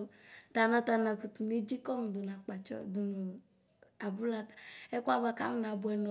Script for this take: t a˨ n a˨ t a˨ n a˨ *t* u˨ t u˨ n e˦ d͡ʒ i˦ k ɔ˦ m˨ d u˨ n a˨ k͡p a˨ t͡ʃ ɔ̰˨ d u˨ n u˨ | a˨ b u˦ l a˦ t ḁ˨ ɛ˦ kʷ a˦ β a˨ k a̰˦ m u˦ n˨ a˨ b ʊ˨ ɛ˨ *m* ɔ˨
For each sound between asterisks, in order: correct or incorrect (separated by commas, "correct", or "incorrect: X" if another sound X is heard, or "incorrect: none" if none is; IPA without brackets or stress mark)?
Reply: incorrect: k, incorrect: n